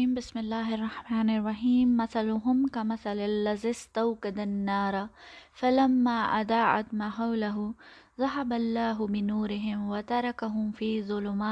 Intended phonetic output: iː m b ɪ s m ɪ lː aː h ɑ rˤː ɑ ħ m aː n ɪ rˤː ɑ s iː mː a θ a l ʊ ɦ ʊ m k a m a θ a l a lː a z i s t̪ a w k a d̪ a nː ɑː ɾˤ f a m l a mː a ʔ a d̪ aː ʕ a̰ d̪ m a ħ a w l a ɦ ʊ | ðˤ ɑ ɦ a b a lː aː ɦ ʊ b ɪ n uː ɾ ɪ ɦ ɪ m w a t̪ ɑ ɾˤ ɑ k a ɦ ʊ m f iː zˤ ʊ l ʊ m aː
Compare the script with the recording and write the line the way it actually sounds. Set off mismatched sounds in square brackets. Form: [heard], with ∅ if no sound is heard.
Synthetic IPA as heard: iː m b ɪ s m ɪ lː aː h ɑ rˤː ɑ ħ m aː n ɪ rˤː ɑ [ħ] iː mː a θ a l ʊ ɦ ʊ m k a m a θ a l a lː a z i s t̪ a w k a d̪ a nː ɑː ɾˤ f a [∅] l a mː a ʔ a d̪ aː ʕ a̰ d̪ m a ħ a w l a ɦ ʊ | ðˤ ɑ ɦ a b a lː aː ɦ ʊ b ɪ n uː ɾ ɪ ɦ ɪ m w a t̪ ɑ ɾˤ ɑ k a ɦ ʊ m f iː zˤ ʊ l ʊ m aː